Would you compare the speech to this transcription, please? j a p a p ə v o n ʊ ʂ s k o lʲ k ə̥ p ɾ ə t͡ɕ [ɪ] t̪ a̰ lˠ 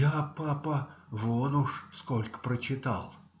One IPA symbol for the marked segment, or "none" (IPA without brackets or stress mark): ɪ